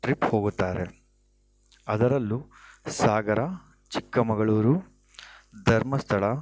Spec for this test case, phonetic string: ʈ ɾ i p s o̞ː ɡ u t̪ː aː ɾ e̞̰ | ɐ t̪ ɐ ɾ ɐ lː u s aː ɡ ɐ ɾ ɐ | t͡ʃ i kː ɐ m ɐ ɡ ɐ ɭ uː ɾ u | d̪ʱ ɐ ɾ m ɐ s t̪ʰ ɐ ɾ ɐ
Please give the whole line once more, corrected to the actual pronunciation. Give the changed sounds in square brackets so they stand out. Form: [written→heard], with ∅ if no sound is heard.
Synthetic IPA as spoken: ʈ ɾ i p [s→h] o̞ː ɡ u t̪ː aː ɾ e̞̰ | ɐ [t̪→d̪] ɐ ɾ ɐ lː u s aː ɡ ɐ ɾ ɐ | t͡ʃ i kː ɐ m ɐ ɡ ɐ ɭ uː ɾ u | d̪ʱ ɐ ɾ m ɐ s t̪ʰ ɐ [ɾ→ɭ] ɐ